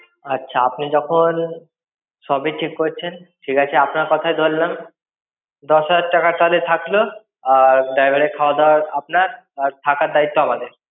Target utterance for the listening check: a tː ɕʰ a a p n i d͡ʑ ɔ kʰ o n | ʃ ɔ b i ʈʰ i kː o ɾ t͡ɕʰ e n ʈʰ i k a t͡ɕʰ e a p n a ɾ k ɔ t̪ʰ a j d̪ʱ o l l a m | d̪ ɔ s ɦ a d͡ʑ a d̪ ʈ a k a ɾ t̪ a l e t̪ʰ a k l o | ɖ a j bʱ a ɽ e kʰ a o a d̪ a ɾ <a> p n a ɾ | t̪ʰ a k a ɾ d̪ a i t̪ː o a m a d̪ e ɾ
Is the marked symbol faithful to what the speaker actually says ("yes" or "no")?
yes